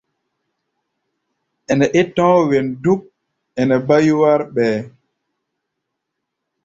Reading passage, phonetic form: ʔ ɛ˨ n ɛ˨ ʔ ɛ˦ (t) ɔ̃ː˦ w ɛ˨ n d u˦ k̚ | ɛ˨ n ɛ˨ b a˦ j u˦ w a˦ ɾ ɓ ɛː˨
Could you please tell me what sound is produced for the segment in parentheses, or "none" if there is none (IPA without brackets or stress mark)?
t